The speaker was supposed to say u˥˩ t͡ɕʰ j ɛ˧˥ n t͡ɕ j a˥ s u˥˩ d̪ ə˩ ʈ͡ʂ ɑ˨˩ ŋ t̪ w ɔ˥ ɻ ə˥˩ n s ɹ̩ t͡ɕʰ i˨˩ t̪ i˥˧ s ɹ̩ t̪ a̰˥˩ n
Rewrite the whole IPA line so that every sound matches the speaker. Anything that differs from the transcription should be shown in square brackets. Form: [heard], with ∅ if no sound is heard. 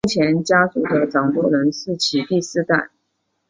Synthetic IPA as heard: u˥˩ t͡ɕʰ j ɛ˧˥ n t͡ɕ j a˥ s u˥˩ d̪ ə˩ ʈ͡ʂ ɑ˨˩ ŋ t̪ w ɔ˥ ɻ [ə˧˥] n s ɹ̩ t͡ɕʰ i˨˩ t̪ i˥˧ s ɹ̩ t̪ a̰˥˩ n